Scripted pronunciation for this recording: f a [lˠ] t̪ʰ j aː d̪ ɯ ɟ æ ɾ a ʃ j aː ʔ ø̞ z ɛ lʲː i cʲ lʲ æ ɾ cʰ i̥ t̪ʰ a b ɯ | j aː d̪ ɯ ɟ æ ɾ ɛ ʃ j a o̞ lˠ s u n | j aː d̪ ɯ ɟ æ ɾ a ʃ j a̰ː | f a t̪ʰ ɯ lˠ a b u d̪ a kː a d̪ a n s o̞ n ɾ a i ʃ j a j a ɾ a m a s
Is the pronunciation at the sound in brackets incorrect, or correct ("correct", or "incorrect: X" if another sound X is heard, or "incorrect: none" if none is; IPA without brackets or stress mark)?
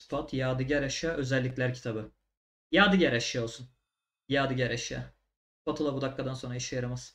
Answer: incorrect: none